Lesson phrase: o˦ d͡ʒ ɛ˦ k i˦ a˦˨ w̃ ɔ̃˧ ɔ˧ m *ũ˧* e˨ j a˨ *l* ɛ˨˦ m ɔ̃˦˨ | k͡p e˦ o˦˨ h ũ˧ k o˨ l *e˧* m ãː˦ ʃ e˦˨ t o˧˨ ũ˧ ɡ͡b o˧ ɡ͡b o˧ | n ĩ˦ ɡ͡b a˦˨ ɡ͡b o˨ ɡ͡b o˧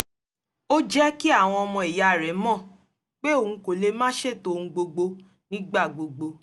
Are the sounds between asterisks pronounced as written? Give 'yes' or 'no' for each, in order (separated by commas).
no, no, yes